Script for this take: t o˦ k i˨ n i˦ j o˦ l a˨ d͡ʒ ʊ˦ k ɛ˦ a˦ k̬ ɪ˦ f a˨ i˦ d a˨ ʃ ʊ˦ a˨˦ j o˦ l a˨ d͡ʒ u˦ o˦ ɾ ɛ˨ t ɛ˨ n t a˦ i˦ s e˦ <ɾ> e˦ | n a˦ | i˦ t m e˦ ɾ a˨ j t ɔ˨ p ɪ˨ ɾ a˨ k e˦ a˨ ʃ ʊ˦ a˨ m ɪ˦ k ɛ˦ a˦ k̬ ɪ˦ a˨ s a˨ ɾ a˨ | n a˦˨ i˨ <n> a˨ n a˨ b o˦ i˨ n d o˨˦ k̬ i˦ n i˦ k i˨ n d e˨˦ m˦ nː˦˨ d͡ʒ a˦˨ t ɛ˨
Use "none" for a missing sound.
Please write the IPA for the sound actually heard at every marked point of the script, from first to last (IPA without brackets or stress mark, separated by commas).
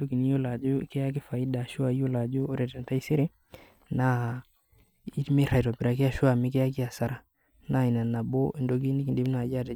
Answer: ɾ, n